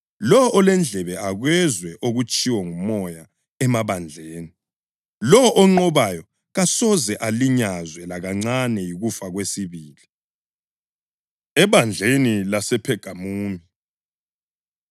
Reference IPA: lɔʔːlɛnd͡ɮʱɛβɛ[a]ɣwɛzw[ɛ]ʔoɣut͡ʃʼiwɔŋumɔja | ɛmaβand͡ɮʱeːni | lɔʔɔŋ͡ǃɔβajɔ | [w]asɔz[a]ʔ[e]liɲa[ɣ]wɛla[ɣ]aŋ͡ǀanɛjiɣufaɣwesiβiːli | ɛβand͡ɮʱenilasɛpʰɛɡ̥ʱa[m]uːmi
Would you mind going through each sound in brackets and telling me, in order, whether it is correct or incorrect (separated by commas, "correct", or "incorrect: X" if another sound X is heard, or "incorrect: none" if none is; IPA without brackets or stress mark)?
correct, correct, incorrect: ɣ, incorrect: ɛ, incorrect: a, incorrect: z, correct, correct